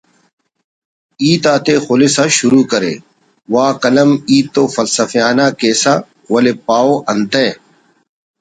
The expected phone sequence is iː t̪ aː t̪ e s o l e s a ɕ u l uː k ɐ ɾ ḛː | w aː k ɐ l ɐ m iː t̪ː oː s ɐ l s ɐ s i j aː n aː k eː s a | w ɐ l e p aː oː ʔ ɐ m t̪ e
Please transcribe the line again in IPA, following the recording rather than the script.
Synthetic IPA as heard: iː t̪ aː t̪ e x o l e s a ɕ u ɾ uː k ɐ ɾ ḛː | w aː k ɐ l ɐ m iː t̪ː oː f ɐ l s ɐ f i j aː n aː k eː s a | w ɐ l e p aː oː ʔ ɐ n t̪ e